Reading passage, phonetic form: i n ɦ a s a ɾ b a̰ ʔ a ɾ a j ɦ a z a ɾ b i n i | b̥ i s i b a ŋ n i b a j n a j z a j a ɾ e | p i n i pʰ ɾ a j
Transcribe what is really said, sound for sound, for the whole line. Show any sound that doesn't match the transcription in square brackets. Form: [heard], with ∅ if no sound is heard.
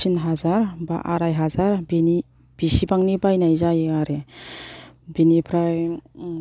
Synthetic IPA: i n ɦ a [z] a ɾ b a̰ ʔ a ɾ a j ɦ a z a ɾ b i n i | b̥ i s i b a ŋ n i b a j n a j z a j a ɾ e | [b] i n i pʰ ɾ a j